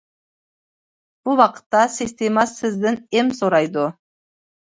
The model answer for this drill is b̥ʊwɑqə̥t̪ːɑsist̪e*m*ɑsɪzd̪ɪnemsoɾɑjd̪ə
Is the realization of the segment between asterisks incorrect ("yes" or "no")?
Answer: no